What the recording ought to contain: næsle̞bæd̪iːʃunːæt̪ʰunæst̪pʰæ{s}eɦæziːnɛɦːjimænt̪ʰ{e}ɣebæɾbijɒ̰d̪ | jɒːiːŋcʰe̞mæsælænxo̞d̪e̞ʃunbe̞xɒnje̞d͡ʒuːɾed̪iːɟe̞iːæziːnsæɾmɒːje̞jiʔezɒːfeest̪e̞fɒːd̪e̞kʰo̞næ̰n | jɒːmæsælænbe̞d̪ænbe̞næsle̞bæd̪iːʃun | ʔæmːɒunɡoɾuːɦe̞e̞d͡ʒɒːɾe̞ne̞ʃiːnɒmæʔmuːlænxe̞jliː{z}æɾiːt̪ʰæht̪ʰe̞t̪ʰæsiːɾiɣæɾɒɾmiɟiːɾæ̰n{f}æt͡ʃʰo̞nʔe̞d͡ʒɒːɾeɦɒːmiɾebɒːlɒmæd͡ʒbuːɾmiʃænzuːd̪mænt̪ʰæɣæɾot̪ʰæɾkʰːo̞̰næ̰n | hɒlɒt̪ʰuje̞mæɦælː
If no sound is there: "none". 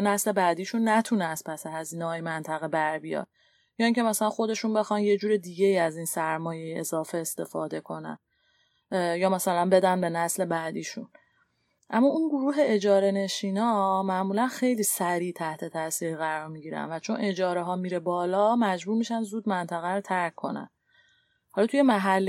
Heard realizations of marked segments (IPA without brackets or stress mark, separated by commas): s, æ, s, v